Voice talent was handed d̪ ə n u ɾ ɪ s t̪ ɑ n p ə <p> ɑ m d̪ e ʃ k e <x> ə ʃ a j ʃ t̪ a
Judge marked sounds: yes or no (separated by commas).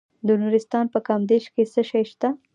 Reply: no, no